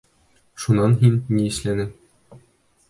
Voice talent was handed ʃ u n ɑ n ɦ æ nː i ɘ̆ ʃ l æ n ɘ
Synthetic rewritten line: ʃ u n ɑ n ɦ i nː i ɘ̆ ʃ l æ n ɘ